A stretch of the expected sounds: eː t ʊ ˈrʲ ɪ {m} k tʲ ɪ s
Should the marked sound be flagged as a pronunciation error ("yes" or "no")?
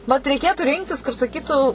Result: yes